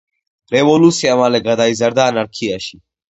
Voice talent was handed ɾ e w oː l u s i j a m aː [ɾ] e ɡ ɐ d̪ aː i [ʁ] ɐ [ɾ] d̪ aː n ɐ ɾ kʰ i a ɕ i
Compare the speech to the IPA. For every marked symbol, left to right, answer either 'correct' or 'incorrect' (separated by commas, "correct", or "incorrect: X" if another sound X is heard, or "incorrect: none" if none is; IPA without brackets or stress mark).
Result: incorrect: l, incorrect: z, correct